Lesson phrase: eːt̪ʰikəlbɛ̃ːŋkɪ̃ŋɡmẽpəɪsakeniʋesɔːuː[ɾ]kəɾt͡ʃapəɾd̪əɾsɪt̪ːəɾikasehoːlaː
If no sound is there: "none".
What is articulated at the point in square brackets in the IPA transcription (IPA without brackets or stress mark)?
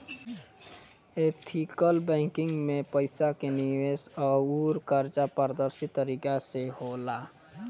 ɾ